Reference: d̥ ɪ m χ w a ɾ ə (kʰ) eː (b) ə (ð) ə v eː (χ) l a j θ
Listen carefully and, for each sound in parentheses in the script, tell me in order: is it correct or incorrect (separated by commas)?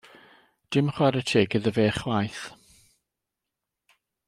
incorrect, incorrect, correct, correct